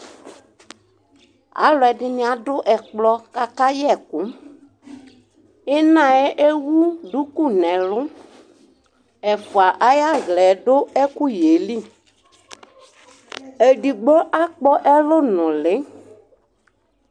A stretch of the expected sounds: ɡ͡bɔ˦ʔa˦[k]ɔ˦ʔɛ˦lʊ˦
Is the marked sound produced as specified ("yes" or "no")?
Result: no